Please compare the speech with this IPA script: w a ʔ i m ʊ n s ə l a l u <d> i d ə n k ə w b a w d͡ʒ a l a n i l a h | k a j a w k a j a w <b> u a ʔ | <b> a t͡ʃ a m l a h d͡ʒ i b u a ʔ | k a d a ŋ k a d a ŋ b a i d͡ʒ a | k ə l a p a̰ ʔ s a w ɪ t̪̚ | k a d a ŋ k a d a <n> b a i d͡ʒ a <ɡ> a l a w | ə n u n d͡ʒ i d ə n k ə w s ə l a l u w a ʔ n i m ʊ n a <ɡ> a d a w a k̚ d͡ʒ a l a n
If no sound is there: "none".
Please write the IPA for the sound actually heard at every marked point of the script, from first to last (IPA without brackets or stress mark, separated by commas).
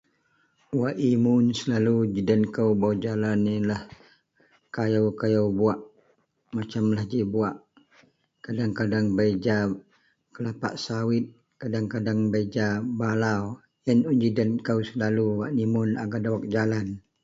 d͡ʒ, b, m, ŋ, b, ɡ